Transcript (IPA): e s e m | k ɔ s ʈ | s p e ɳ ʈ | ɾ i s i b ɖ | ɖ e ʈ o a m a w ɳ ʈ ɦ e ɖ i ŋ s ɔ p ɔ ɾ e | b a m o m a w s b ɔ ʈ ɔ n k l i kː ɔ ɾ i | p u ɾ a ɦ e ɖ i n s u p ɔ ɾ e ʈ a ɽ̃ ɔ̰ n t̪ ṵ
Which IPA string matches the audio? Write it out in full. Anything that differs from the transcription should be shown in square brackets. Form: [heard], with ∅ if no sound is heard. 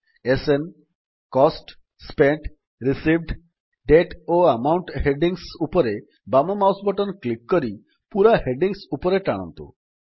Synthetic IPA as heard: e s e [n] | k ɔ s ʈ | s p e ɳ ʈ | ɾ i s i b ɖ | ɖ e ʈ o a m a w ɳ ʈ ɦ e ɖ i ŋ s [u] p ɔ ɾ e | b a m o m a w s b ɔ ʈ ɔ n k l i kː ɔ ɾ i | p u ɾ a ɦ e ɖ i [ŋ] s u p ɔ ɾ e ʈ a ɽ̃ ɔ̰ n t̪ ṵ